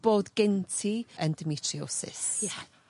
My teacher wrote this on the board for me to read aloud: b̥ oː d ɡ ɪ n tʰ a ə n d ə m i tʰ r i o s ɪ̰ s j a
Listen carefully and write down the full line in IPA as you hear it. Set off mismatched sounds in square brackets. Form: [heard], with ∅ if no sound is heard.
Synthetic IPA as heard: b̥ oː d ɡ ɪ n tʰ [i] ə n d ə m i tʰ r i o s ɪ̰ s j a